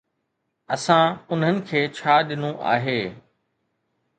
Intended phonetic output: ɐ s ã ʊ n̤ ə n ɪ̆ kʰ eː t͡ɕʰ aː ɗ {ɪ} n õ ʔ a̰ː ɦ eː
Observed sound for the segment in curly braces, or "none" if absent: ɪ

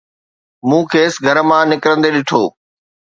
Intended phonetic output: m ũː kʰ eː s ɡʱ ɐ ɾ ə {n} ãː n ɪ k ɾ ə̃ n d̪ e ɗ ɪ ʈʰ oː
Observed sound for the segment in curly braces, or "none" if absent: m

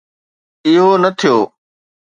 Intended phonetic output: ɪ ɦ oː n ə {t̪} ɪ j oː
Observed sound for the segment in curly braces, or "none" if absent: t̪ʰ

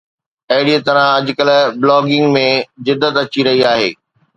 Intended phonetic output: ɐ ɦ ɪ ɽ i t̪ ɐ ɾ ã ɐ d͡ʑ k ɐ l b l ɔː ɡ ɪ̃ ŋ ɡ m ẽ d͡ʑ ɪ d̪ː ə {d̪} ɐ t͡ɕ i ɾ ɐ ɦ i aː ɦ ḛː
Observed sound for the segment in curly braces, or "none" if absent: t̪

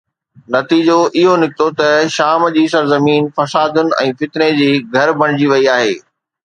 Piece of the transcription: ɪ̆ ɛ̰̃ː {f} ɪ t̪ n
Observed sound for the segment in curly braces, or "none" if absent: f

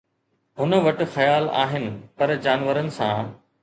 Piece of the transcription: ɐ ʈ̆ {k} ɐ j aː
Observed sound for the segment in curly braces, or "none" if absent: x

